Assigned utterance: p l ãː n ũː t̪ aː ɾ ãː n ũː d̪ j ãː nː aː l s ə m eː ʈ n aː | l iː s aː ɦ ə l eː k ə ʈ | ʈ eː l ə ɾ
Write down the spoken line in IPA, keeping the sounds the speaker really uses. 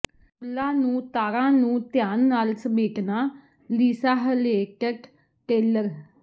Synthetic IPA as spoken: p l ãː n ũː t̪ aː ɾ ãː n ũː t̪ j aː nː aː l s ə m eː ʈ n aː | l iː s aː ɦ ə l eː k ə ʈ | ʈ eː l ə ɾ